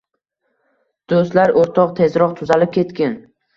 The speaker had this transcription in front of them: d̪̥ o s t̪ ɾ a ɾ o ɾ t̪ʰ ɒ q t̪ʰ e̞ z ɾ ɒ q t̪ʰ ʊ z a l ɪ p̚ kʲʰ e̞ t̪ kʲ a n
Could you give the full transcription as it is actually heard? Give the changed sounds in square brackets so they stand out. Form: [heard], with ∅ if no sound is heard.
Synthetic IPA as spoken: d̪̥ o s t̪ [l] a ɾ o ɾ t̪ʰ ɒ q t̪ʰ e̞ z ɾ ɒ q t̪ʰ ʊ z a l ɪ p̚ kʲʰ e̞ t̪ kʲ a n